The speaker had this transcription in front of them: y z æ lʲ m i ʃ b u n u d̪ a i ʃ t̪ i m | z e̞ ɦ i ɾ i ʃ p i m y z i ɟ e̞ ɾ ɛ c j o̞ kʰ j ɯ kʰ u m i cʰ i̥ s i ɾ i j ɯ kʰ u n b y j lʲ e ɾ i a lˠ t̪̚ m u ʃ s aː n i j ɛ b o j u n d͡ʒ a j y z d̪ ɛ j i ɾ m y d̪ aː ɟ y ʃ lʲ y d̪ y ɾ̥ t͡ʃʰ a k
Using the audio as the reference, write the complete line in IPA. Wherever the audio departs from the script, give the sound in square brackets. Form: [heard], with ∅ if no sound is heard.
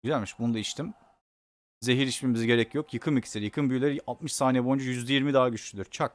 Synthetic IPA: y z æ lʲ m i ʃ b u n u d̪ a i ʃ t̪ i m | z e̞ ɦ i ɾ i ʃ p i m [i] z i ɟ e̞ ɾ ɛ c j o̞ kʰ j ɯ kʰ [ɯ] m i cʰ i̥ s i ɾ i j ɯ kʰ [ɯ] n b y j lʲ e ɾ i a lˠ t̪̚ m [ɯ] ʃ s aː n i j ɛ b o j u n d͡ʒ a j y z d̪ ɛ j i ɾ m [i] d̪ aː ɟ y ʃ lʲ y d̪ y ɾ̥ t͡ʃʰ a k

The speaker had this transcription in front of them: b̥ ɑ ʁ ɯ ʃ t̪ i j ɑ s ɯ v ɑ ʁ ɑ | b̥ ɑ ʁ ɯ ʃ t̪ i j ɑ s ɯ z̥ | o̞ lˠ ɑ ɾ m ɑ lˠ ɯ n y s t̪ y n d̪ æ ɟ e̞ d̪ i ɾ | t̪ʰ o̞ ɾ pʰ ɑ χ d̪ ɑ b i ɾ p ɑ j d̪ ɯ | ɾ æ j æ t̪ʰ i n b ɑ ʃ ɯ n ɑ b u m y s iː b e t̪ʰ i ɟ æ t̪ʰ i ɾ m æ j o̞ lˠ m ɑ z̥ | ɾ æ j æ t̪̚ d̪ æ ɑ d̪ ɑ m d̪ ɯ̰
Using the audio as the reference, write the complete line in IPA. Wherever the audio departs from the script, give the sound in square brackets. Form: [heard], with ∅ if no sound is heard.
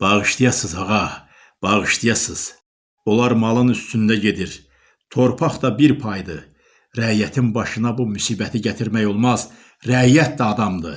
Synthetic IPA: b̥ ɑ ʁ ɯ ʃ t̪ i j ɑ s ɯ [z] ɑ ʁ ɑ | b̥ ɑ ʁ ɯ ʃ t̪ i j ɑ s ɯ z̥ | o̞ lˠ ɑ ɾ m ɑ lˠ ɯ n y s t̪ y n d̪ æ ɟ e̞ d̪ i ɾ | t̪ʰ o̞ ɾ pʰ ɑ χ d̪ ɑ b i ɾ [pʰ] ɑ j d̪ ɯ | ɾ æ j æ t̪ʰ i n b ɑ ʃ ɯ n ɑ b u m y s iː b [æ] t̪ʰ i ɟ æ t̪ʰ i ɾ m æ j o̞ lˠ m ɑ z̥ | ɾ æ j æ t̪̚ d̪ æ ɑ d̪ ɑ m d̪ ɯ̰

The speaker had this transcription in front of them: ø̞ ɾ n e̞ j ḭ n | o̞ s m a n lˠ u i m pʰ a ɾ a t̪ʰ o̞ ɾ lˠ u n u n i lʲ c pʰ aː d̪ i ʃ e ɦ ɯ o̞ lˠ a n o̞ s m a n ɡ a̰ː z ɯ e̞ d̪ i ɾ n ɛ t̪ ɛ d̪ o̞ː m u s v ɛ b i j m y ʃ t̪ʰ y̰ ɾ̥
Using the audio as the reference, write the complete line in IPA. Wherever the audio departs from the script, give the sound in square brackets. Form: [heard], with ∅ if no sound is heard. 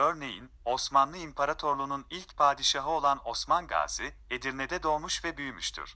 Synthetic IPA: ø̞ ɾ n e̞ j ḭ n | o̞ s m a n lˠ [ɯ] i m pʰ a ɾ a t̪ʰ o̞ ɾ lˠ u n u n i lʲ c pʰ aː d̪ i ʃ [a] ɦ ɯ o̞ lˠ a n o̞ s m a n ɡ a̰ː z ɯ e̞ d̪ i ɾ n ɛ [d̪] ɛ d̪ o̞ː m u [ʃ] v ɛ b [y] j m y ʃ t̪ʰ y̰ ɾ̥

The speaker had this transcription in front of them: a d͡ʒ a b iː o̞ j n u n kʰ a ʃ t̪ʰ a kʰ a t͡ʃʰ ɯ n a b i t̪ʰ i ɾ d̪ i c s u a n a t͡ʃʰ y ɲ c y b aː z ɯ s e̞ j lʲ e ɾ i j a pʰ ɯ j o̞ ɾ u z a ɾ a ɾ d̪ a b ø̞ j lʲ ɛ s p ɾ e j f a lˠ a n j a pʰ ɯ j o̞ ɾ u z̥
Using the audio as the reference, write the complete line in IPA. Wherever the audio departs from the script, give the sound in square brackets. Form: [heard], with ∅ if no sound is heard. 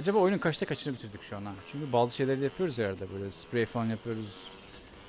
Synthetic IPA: a d͡ʒ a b [aː] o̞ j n u n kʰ a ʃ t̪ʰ a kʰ a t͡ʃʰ ɯ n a b i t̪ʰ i ɾ d̪ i c [ʃ] u a n a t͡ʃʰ y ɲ c y b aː z ɯ [ʃ] e̞ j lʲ e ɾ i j a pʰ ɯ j o̞ ɾ u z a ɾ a ɾ d̪ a b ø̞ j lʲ ɛ s p ɾ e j f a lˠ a n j a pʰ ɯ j o̞ ɾ u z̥

